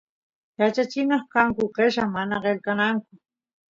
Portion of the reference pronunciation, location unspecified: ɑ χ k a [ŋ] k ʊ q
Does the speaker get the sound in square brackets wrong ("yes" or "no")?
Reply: no